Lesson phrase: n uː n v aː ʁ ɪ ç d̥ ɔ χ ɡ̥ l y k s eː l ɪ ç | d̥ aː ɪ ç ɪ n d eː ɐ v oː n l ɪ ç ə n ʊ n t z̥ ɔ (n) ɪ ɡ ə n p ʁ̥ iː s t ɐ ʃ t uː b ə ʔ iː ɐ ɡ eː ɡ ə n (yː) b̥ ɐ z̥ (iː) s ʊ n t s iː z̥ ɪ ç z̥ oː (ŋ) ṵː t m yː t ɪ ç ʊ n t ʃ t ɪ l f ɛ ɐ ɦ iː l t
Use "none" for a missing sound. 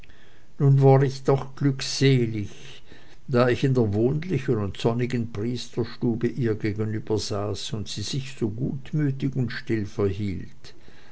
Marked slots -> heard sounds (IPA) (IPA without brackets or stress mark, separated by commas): n, yː, aː, ɡ